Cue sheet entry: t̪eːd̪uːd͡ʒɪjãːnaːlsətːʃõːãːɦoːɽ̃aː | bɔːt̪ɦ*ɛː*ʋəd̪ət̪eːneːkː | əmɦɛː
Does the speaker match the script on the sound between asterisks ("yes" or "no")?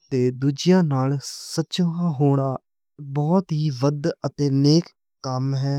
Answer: no